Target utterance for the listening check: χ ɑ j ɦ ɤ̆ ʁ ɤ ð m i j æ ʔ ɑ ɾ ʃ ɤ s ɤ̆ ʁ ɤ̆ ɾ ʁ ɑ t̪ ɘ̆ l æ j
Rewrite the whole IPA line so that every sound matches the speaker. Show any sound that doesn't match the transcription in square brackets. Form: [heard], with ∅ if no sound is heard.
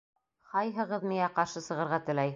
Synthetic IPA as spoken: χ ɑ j ɦ ɤ̆ ʁ ɤ ð m i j æ [q] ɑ ɾ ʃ ɤ s ɤ̆ ʁ ɤ̆ ɾ ʁ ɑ t̪ ɘ̆ l æ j

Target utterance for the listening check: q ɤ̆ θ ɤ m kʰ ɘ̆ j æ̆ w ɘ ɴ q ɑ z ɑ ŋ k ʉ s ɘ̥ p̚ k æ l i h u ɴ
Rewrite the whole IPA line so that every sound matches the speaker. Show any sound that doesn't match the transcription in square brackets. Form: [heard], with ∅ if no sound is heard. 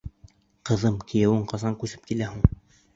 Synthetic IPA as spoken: q ɤ̆ [ð] ɤ m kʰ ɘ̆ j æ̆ w ɘ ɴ q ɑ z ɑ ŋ k ʉ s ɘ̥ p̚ k [i] l [æ] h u ɴ

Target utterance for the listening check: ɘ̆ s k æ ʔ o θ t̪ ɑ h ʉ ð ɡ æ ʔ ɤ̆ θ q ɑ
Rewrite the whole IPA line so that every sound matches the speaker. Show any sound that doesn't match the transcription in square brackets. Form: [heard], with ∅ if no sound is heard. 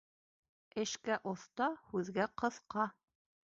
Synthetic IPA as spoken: ɘ̆ [ʃ] k æ ʔ o θ t̪ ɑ h ʉ ð ɡ æ [q] ɤ̆ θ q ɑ

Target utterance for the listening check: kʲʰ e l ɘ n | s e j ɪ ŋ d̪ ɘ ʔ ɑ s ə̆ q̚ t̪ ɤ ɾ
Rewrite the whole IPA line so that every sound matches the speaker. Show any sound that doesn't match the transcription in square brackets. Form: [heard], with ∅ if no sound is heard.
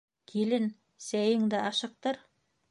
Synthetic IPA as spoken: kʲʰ e l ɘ n | s [æ] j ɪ ŋ d̪ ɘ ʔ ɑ [ʃ] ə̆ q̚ t̪ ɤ ɾ

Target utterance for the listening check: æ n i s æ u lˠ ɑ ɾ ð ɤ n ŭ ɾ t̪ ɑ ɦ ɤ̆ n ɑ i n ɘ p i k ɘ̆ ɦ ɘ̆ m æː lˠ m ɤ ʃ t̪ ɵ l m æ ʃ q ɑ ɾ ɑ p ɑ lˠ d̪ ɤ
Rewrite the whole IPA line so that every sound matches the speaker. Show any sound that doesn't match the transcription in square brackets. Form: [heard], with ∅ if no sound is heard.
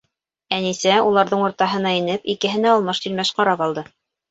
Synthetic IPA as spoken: æ n i s æ u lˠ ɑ ɾ ð ɤ [ɴ] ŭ ɾ t̪ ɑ ɦ ɤ̆ n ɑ i n ɘ p i k ɘ̆ ɦ ɘ̆ [n] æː lˠ m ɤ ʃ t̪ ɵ l m æ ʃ q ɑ ɾ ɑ p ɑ lˠ d̪ ɤ

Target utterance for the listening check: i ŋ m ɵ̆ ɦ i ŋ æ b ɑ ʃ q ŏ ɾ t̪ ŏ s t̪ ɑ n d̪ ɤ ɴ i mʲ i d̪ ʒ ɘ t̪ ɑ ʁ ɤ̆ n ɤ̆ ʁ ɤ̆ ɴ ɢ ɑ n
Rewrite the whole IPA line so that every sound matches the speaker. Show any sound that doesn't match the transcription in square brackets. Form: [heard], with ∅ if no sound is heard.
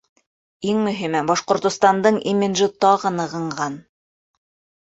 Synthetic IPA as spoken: i ŋ m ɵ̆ ɦ i [m] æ b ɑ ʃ q ŏ ɾ t̪ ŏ s t̪ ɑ n d̪ ɤ ɴ i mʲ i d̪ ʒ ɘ t̪ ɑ ʁ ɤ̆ n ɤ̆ ʁ ɤ̆ ɴ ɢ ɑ n

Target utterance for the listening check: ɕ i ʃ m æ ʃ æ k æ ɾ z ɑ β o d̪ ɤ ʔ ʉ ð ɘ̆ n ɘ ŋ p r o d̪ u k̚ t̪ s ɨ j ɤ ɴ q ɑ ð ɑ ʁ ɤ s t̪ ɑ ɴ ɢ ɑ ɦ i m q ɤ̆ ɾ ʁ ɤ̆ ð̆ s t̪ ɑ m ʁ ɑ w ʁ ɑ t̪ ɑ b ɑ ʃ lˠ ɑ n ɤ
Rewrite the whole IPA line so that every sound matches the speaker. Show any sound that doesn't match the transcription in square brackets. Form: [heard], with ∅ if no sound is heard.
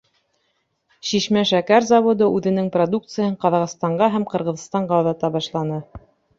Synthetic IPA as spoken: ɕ i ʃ m æ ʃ æ k æ ɾ z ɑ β o d̪ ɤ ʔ ʉ ð ɘ̆ n ɘ ŋ p r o d̪ u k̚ t̪ s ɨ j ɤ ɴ q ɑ ð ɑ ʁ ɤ s t̪ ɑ ɴ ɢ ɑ ɦ [æ] m q ɤ̆ ɾ ʁ ɤ̆ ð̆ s t̪ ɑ [ɴ] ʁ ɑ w [ð] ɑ t̪ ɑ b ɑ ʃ lˠ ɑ n ɤ

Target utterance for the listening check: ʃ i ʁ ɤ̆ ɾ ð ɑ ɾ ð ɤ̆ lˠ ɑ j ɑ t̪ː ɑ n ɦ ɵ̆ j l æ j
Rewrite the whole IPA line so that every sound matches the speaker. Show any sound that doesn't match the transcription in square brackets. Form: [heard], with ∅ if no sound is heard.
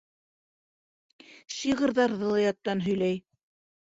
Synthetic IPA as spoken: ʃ i ʁ ɤ̆ ɾ ð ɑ ɾ ð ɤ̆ lˠ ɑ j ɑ t̪ː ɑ n ɦ ɵ̆ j l æ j

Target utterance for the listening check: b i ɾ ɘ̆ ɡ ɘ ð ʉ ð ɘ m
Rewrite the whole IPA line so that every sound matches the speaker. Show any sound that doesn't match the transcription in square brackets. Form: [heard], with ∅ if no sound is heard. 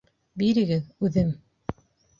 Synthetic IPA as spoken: b i ɾ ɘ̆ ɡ ɘ ð ʉ ð ɘ m

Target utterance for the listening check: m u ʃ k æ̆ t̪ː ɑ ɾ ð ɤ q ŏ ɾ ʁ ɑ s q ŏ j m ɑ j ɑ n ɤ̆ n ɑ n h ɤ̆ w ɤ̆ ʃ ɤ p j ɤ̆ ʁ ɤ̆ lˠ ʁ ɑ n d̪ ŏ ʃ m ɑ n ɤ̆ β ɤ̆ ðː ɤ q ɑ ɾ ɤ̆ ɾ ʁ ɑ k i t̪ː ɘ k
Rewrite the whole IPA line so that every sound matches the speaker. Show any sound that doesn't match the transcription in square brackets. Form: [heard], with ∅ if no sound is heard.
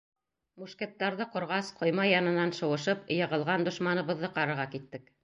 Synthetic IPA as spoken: m u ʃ k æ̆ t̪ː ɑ ɾ ð ɤ q ŏ ɾ ʁ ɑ s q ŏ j m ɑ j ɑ n ɤ̆ n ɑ n [ʃ] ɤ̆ w ɤ̆ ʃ ɤ p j ɤ̆ ʁ ɤ̆ lˠ ʁ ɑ n d̪ ŏ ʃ m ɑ n ɤ̆ β ɤ̆ ðː ɤ q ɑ ɾ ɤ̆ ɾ ʁ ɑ k i t̪ː ɘ k

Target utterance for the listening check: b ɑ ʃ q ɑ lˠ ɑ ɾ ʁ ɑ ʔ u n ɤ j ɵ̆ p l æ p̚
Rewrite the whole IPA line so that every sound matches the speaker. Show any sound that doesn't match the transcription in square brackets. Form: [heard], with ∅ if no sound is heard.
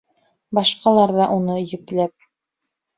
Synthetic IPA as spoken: b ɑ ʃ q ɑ lˠ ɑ ɾ [ð] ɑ ʔ u n ɤ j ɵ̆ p l æ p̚

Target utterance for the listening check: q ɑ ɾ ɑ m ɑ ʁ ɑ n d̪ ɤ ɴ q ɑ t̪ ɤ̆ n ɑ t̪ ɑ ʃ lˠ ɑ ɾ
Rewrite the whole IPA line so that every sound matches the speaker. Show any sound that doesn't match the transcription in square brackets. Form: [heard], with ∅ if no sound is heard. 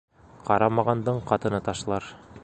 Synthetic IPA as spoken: q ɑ ɾ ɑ m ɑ ʁ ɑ n d̪ ɤ ɴ q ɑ t̪ ɤ̆ n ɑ t̪ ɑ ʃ lˠ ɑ ɾ

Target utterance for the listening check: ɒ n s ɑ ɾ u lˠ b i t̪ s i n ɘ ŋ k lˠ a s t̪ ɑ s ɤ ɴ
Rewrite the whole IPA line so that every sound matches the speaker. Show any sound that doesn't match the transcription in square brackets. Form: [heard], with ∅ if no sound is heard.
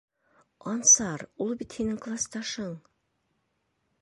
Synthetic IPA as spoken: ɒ n s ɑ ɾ u lˠ b i t̪ [h] i n ɘ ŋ k lˠ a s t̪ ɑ [ʃ] ɤ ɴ

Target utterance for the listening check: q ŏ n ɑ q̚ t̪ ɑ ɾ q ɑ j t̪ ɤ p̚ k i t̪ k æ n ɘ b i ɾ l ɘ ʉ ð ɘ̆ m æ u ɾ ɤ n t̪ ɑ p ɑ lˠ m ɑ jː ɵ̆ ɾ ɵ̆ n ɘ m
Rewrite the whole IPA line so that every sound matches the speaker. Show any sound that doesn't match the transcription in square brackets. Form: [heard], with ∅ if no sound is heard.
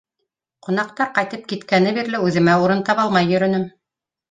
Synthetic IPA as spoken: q ŏ n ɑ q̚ t̪ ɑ ɾ q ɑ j t̪ ɤ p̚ k i t̪ k æ n ɘ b i ɾ l ɘ ʉ ð ɘ̆ m æ u ɾ ɤ n t̪ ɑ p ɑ lˠ m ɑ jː ɵ̆ ɾ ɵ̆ n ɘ m

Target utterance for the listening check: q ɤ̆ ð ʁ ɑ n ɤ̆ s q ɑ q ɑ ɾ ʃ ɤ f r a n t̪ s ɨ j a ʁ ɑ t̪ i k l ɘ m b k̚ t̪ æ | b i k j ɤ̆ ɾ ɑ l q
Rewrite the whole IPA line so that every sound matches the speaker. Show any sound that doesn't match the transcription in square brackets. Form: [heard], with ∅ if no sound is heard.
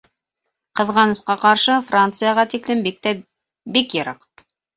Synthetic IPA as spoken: q ɤ̆ ð ʁ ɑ n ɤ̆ s q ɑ q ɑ ɾ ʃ ɤ f r a n t̪ s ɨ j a ʁ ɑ t̪ i k l ɘ m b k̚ t̪ æ | b i k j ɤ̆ ɾ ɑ [∅] q

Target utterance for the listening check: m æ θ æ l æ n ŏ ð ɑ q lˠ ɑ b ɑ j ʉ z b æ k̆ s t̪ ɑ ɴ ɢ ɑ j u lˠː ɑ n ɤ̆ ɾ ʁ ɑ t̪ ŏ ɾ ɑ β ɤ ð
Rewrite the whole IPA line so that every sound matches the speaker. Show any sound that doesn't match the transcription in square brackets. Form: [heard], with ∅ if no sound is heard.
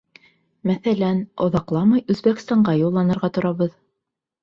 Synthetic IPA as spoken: m æ θ æ l æ n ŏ ð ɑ q lˠ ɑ [m] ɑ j ʉ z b æ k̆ s t̪ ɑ ɴ ɢ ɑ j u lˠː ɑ n ɤ̆ ɾ ʁ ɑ t̪ ŏ ɾ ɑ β ɤ ð

